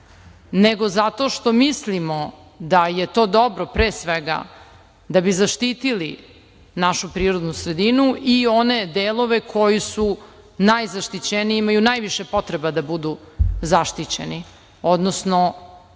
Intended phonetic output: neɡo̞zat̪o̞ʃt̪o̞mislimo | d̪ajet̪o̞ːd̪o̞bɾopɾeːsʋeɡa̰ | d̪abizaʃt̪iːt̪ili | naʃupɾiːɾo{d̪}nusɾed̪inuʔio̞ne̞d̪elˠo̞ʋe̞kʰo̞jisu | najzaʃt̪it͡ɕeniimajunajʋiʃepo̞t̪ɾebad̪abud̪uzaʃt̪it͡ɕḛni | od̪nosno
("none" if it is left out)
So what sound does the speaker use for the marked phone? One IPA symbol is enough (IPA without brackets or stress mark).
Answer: d̪